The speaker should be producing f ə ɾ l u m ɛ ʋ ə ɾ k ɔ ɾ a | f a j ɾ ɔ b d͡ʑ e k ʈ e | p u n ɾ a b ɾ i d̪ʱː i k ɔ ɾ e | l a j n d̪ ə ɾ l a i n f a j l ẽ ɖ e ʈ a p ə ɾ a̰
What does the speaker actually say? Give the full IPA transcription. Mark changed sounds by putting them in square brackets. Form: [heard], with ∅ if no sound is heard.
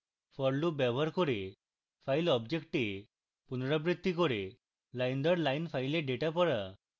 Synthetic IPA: f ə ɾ l u [b] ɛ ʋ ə ɾ k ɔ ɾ [e] | f a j [l] ɔ b d͡ʑ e k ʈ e | p u n ɾ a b ɾ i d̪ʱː i k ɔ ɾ e | l a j n d̪ ə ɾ l a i n f a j l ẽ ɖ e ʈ a p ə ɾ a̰